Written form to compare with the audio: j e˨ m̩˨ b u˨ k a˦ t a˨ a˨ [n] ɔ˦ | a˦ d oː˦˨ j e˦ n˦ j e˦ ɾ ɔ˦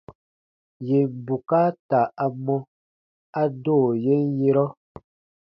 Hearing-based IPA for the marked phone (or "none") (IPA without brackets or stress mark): m